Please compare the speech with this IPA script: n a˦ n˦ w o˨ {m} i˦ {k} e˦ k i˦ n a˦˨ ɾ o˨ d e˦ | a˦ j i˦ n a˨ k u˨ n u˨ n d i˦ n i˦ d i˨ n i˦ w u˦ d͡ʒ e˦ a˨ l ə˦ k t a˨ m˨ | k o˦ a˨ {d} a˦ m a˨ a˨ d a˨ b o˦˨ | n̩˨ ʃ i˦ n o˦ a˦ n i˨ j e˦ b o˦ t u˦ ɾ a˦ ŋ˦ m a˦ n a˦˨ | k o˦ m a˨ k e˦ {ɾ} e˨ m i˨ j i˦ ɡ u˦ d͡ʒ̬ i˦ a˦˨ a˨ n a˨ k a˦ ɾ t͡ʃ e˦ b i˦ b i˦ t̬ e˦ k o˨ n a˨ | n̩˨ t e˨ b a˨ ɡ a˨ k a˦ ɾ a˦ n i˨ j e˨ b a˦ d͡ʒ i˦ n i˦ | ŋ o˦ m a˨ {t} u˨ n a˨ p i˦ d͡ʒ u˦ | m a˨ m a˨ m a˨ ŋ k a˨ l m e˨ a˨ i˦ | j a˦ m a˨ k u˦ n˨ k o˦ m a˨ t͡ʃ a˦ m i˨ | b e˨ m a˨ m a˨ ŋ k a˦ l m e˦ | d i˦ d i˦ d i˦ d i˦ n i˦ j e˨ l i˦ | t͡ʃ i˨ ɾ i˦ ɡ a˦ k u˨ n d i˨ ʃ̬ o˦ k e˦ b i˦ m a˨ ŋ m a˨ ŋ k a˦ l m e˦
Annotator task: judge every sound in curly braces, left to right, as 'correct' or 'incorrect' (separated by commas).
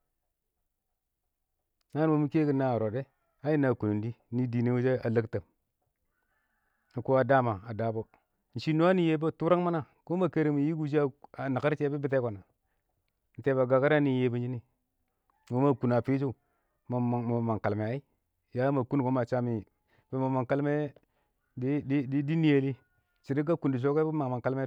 correct, correct, correct, correct, incorrect